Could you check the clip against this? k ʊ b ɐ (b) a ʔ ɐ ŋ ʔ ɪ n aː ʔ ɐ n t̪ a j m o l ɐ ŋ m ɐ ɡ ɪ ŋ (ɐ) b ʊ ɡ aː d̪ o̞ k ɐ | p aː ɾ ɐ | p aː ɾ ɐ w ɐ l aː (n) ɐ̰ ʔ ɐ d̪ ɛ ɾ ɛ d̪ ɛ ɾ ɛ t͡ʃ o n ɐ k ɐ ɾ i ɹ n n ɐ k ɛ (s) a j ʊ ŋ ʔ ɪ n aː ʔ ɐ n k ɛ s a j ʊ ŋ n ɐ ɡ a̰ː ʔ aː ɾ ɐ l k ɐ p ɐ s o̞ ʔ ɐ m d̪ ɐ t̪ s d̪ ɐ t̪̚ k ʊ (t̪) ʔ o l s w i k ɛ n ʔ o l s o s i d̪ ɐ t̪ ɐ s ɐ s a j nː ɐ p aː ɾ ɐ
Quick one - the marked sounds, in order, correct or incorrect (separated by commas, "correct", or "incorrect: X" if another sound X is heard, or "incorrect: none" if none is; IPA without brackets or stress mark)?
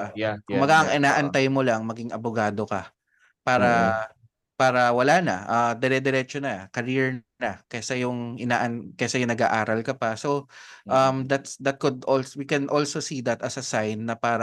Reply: incorrect: ɡ, correct, correct, correct, incorrect: d̪